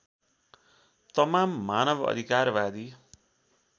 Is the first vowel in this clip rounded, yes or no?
no